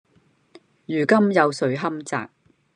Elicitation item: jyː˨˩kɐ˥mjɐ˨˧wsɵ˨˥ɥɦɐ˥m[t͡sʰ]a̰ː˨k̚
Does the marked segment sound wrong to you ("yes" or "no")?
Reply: yes